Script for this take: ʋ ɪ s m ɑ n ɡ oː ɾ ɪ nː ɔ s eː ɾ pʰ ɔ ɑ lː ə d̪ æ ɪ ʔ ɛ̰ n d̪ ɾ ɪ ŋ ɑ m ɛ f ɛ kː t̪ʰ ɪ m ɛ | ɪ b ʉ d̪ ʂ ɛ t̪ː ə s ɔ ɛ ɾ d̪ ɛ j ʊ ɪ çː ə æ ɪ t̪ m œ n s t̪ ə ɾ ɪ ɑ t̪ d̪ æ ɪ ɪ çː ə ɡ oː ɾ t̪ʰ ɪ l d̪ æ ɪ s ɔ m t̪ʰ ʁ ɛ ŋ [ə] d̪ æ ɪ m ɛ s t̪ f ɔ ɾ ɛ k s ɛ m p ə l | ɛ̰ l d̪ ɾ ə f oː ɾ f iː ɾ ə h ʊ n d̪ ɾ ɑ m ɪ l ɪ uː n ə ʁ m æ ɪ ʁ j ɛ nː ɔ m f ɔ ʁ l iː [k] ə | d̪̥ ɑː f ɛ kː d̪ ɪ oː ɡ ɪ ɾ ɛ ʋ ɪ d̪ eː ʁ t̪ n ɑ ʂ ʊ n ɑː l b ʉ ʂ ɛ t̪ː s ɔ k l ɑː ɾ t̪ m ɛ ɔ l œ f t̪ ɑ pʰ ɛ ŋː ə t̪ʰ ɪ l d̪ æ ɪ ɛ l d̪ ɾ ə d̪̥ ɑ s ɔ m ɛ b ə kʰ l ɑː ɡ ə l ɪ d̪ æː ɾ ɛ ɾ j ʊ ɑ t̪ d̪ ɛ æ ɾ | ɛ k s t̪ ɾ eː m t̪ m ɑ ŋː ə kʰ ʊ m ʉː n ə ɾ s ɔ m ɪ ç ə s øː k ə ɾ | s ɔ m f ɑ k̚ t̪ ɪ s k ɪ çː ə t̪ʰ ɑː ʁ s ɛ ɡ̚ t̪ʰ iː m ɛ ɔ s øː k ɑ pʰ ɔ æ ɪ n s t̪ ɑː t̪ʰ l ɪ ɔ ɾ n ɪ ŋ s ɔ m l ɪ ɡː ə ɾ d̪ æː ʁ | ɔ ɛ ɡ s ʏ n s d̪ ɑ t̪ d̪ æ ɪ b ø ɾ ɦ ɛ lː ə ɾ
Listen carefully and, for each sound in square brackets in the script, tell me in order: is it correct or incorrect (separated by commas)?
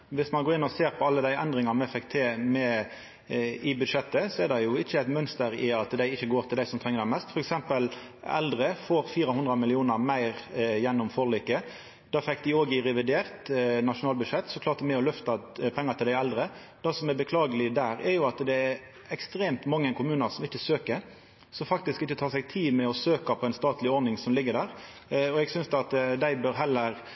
correct, correct